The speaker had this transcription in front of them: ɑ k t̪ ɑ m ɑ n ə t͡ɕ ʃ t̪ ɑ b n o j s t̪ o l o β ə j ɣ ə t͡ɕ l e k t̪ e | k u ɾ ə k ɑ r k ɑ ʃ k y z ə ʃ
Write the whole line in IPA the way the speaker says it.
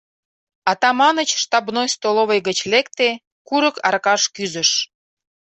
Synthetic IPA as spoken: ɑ t̪ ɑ m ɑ n ə t͡ɕ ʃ t̪ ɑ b n o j s t̪ o l o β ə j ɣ ə t͡ɕ l e k t̪ e | k u ɾ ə k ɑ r k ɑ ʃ k y z ə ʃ